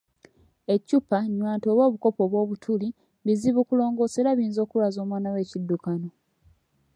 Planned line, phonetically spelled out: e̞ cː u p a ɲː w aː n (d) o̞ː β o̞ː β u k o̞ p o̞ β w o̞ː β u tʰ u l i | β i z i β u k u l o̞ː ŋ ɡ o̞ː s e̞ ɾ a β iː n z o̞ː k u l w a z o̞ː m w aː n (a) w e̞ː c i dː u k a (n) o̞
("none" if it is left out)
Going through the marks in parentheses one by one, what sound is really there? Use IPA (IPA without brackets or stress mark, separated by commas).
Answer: t, a, n